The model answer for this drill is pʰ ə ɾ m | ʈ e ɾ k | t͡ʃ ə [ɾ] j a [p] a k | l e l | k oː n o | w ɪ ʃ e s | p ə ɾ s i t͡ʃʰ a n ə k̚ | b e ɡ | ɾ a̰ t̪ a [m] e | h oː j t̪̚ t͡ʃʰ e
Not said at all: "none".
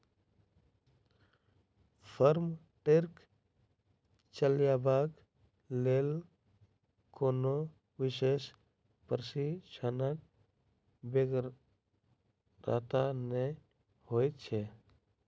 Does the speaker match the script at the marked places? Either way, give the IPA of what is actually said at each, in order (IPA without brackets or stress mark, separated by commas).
l, b, n